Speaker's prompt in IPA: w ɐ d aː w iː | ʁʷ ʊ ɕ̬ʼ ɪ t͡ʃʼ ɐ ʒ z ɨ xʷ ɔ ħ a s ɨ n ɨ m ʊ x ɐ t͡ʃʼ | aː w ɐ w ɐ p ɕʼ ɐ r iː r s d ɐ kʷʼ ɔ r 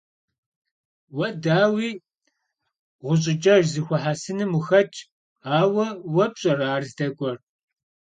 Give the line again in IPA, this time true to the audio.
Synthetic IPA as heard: w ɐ d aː w iː | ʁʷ ʊ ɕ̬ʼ ɪ t͡ʃʼ ɐ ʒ z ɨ xʷ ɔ ħ a s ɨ n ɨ m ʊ x ɐ t͡ʃʼ | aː w ɐ w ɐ p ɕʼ ɐ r aː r z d ɐ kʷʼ ɔ r